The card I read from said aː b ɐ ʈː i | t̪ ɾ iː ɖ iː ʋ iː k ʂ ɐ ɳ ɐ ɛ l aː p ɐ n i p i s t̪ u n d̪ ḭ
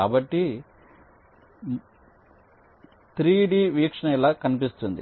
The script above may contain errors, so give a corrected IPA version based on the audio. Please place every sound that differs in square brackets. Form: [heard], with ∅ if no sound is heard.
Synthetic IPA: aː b ɐ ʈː i | t̪ ɾ iː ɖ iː ʋ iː k ʂ ɐ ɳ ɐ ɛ l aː [k] ɐ n i p i s t̪ u n d̪ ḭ